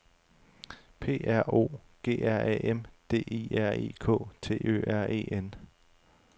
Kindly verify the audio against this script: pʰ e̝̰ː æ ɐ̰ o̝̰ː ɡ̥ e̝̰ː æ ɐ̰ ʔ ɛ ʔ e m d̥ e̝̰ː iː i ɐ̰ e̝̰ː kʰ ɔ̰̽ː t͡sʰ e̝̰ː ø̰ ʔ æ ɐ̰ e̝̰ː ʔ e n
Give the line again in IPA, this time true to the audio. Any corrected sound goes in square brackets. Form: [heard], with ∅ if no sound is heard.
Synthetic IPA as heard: pʰ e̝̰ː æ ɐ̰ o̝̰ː ɡ̥ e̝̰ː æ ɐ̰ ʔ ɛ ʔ e m d̥ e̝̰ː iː [æ] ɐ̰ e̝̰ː kʰ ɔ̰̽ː t͡sʰ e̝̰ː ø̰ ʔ æ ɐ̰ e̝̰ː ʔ e n